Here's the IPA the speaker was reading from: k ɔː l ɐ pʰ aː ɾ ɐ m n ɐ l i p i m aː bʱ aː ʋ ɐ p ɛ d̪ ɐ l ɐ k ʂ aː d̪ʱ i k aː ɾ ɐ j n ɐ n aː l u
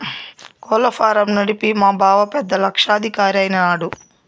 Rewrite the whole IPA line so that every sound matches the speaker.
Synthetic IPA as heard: k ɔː l ɐ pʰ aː ɾ ɐ m n ɐ ɽ i p i m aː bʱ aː ʋ ɐ p ɛ d̪ː ɐ l ɐ k ʂ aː d̪ʱ i k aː ɾ ɐ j n ɐ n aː ɽ u